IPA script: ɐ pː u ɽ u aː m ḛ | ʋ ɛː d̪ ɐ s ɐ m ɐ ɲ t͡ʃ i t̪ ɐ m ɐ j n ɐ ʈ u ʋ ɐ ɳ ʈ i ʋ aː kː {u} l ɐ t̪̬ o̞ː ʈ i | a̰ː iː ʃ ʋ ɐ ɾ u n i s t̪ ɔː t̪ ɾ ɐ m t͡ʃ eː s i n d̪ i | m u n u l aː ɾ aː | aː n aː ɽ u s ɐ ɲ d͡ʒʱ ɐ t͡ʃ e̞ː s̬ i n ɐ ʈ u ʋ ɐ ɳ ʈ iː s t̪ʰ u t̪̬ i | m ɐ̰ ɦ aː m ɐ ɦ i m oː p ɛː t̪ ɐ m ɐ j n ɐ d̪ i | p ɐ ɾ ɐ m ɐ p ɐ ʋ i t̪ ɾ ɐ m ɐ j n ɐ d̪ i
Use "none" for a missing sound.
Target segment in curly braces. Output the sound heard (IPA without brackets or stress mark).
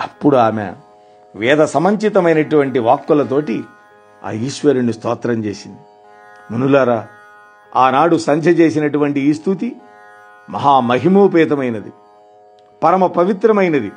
u